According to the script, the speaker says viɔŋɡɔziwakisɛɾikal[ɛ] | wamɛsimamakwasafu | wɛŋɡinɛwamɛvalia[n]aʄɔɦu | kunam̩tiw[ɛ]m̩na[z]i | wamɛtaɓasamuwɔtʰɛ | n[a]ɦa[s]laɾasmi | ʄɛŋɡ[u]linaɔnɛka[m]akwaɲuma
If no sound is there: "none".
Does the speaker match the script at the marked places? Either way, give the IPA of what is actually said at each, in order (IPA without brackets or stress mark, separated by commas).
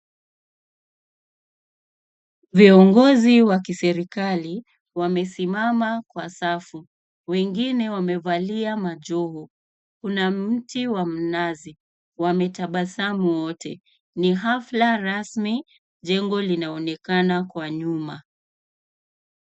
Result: i, m, a, z, i, f, ɔ, n